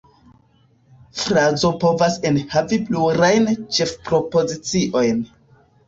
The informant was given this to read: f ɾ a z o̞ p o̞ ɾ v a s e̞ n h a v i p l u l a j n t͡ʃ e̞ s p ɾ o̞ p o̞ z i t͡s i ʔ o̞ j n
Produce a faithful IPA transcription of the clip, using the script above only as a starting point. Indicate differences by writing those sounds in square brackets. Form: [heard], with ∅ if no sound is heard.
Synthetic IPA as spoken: f ɾ a z o̞ p o̞ [∅] v a s e̞ n h a v i p l u [ɾ] a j n t͡ʃ e̞ [f] p ɾ o̞ p o̞ z i t͡s i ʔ o̞ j n